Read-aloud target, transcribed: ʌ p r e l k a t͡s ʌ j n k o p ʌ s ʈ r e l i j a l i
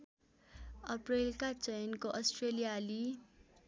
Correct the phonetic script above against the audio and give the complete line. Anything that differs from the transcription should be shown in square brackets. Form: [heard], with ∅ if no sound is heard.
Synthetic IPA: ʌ p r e l k a t͡s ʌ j n k o [ʔ] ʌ s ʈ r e l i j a l i